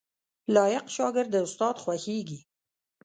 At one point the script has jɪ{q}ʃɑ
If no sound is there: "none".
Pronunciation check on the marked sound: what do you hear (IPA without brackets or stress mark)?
q